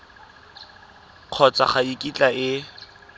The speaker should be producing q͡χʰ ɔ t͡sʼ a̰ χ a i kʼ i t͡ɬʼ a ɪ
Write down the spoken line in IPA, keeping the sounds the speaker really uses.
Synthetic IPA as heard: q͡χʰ ɔ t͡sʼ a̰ χ a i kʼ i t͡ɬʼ a ɪ